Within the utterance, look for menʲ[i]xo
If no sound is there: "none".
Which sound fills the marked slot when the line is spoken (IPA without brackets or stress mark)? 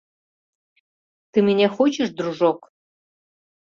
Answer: e